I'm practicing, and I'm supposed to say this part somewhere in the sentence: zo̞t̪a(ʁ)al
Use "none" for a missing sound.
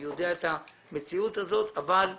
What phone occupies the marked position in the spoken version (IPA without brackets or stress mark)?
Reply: v